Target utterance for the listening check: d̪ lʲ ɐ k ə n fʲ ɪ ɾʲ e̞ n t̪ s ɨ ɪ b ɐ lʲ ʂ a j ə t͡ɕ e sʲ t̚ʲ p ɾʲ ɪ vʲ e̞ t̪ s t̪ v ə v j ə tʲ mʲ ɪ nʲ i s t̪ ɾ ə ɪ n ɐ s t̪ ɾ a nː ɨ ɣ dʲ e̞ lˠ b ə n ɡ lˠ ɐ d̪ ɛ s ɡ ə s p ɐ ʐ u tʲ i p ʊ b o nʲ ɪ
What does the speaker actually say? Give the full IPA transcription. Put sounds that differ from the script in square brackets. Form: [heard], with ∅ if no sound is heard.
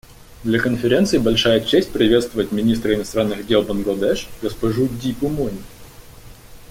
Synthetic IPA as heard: d̪ lʲ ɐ k ə n fʲ ɪ ɾʲ e̞ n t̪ s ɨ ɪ b ɐ lʲ ʂ a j ə t͡ɕ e sʲ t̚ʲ p ɾʲ ɪ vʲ e̞ t̪ s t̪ v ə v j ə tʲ mʲ ɪ nʲ i s t̪ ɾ ə ɪ n ɐ s t̪ ɾ a nː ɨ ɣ dʲ e̞ lˠ b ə n ɡ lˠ ɐ d̪ ɛ [ʂ] ɡ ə s p ɐ ʐ u [dʲ] i p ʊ [m] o nʲ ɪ